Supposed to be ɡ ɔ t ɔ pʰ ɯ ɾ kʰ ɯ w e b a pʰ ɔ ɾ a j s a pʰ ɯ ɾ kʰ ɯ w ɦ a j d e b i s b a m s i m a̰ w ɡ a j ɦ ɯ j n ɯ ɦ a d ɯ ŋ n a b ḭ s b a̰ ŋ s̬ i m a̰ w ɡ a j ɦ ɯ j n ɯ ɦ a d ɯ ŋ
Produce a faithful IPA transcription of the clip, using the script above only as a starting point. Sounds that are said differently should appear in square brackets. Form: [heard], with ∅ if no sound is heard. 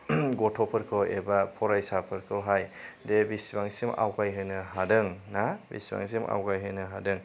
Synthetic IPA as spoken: ɡ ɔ [tʰ] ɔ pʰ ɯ ɾ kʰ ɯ w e b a pʰ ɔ ɾ a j s a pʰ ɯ ɾ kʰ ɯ w ɦ a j d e b i s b a [ŋ] s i m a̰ w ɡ a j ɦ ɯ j n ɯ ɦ a d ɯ ŋ n a b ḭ s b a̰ ŋ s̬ i m a̰ w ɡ a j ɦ ɯ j n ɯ ɦ a d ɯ ŋ